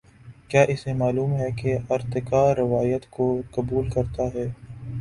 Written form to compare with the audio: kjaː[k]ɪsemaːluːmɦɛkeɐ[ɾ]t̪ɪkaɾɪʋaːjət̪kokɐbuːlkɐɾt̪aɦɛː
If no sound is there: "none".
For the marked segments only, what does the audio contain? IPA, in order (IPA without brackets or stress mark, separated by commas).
ʔ, ɾ